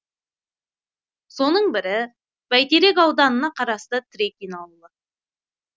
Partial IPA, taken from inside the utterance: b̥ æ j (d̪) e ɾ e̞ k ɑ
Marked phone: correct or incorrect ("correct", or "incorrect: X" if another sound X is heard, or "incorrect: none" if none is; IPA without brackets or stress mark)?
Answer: incorrect: t̪